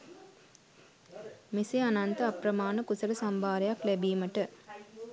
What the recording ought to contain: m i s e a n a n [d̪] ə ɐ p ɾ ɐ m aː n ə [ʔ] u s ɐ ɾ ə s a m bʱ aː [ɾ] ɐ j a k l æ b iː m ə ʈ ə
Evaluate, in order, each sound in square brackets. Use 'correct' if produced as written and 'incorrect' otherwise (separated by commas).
incorrect, incorrect, correct